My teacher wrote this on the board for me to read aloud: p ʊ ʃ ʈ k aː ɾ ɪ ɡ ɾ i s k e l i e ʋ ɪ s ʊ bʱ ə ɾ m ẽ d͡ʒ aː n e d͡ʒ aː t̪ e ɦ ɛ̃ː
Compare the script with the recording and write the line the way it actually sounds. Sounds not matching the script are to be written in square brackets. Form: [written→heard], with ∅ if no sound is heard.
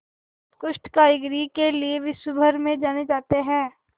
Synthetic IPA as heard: [p→k] ʊ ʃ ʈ k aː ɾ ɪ ɡ ɾ i [s→∅] k e l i e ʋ ɪ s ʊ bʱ ə ɾ m ẽ d͡ʒ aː n e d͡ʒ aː t̪ e ɦ ɛ̃ː